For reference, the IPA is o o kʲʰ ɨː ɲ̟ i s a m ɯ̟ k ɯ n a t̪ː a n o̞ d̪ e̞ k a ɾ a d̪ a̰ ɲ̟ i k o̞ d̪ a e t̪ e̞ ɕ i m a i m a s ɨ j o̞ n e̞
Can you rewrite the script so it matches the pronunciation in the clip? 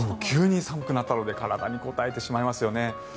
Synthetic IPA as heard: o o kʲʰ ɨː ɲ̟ i s a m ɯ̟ k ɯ n a t̪ː a n o̞ d̪ e̞ k a ɾ a d̪ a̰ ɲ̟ i k o̞ t̪ a e t̪ e̞ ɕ i m a i m a s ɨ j o̞ n e̞